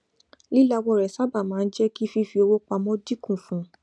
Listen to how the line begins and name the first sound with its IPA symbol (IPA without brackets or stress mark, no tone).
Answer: l